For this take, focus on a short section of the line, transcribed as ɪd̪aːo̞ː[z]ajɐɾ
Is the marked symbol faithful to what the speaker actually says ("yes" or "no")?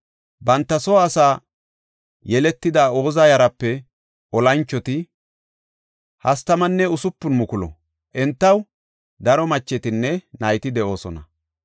yes